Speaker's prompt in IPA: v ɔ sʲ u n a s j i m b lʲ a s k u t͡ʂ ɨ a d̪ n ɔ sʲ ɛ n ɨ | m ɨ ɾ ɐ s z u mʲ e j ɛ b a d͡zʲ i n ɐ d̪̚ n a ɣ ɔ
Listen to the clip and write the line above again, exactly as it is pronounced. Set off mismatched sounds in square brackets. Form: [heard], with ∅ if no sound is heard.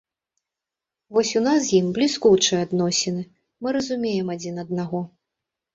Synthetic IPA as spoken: v ɔ sʲ u n a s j i m b lʲ [i] s k u t͡ʂ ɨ a d̪ n ɔ sʲ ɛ n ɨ | m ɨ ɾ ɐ [∅] z u mʲ e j ɛ [m] a d͡zʲ i n ɐ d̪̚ n a ɣ ɔ